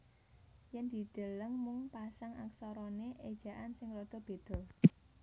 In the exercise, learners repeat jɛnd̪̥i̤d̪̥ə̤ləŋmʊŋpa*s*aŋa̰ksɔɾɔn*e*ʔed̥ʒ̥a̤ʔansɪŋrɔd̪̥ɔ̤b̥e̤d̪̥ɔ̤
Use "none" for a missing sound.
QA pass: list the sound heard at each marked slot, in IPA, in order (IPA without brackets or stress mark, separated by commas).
s, e